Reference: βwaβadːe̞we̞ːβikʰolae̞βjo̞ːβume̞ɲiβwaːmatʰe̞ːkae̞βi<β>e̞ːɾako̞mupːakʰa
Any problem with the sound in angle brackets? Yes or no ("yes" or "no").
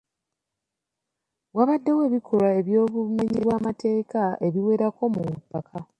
yes